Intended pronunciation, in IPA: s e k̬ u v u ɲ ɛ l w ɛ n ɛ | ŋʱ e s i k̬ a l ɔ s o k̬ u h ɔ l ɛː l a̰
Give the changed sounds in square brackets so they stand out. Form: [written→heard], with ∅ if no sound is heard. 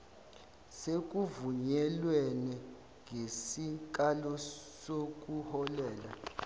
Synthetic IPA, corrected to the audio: s e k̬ u v u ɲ ɛ l w ɛ n ɛ | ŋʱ e s i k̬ a l ɔ s o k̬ u h ɔ l ɛː l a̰